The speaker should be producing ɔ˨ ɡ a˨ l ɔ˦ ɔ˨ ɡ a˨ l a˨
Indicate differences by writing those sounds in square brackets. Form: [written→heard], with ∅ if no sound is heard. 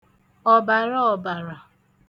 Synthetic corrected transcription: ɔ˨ [ɡ→b] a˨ [l→ɾ] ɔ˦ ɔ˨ [ɡ→b] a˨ [l→ɾ] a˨